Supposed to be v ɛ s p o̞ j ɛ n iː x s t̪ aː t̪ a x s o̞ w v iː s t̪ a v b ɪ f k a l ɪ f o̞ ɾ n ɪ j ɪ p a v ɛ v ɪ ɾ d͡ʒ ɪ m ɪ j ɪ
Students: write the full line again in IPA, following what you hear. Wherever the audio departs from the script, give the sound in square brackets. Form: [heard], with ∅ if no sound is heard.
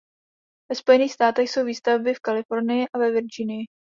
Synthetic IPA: v ɛ s p o̞ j ɛ n iː x s t̪ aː t̪ [ɛ] x s o̞ w v iː s t̪ a v b ɪ f k a l ɪ f o̞ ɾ n ɪ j ɪ [ʔ] a v ɛ v ɪ ɾ d͡ʒ ɪ [n] ɪ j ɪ